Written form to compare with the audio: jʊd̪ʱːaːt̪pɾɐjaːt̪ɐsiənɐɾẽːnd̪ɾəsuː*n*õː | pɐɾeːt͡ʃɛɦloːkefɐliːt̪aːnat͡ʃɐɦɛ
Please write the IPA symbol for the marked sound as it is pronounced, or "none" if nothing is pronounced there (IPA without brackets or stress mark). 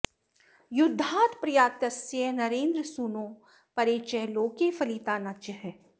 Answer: n